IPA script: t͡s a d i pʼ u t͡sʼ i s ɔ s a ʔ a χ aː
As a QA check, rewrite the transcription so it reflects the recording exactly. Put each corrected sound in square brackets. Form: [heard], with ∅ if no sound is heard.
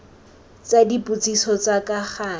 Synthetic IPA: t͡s a d i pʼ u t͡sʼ i s ɔ [t͡s] a [k] a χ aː

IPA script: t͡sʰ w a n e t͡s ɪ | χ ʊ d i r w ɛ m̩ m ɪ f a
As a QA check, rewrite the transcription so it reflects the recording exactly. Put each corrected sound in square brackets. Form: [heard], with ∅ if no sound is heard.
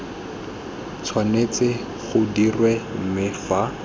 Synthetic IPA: t͡sʰ w a n e t͡s ɪ | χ ʊ d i r w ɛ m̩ m ɪ f a

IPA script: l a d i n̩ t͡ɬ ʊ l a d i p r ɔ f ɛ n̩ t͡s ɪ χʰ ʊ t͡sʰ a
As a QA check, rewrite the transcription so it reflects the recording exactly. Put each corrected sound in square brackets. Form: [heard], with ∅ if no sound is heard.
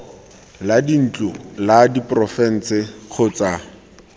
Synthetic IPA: l a d i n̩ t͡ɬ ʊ l a d i p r ɔ f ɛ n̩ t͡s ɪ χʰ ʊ [t͡s] a

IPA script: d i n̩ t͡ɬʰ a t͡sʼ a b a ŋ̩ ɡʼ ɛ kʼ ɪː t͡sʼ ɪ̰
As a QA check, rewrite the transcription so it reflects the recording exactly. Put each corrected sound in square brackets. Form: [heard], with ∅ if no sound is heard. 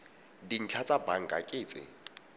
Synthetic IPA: d i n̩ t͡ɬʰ a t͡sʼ a b a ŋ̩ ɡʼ [a] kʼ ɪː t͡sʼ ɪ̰

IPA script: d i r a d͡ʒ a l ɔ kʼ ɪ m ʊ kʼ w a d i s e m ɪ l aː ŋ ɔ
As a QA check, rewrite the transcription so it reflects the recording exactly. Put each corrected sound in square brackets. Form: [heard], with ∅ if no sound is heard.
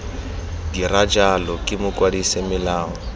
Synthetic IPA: d i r a d͡ʒ a l ɔ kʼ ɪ m ʊ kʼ w a d i s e m ɪ l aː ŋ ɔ

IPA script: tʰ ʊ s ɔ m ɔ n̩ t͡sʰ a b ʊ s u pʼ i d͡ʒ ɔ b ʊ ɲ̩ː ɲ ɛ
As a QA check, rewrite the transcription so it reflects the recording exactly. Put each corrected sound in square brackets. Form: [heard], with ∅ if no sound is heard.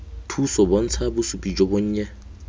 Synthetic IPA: tʰ [u] s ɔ [b] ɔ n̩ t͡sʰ a b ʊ s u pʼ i d͡ʒ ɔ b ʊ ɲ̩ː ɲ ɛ

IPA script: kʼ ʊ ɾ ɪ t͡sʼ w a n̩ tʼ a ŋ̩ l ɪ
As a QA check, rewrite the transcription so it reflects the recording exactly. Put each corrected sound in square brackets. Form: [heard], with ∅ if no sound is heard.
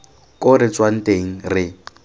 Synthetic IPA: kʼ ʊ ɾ ɪ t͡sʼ w a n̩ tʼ [e] ŋ̩ [r] ɪ

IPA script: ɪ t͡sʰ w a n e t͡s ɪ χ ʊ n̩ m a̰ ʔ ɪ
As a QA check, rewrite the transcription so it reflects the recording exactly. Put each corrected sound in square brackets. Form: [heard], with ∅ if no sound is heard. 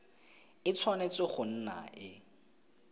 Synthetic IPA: ɪ t͡sʰ w a n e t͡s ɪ χ ʊ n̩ [n] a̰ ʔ ɪ

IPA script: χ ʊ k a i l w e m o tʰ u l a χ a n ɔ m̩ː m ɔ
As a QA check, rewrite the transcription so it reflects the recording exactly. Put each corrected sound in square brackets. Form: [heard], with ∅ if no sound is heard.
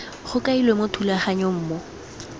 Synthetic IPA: χ ʊ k a i l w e m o tʰ u l a χ a [ɲ] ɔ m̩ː m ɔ

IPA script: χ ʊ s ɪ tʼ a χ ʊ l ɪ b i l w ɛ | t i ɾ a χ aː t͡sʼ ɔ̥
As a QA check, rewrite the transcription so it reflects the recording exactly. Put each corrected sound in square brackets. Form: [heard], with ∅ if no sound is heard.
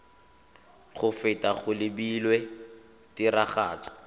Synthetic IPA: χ ʊ [f] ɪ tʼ a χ ʊ l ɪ b i l w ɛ | t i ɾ a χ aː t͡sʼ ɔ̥

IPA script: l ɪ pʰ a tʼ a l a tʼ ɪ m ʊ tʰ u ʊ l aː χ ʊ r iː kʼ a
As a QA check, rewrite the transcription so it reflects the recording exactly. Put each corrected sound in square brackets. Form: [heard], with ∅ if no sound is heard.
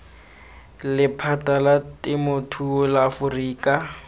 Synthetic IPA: l ɪ pʰ a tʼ a l a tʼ ɪ m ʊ tʰ u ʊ l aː [f] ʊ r iː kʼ a

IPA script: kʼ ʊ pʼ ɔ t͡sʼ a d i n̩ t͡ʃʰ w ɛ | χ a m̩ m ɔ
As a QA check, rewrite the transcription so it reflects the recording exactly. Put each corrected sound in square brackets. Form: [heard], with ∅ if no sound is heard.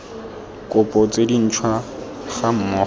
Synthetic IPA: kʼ ʊ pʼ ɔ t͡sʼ [e] d i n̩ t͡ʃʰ w [a] | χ a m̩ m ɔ

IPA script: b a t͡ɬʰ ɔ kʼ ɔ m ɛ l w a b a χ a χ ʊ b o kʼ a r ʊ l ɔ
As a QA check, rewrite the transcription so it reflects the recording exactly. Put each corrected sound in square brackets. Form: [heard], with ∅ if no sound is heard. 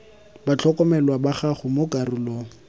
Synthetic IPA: b a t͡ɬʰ ɔ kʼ ɔ m ɛ l w a b a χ a χ ʊ [m] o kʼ a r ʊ l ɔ

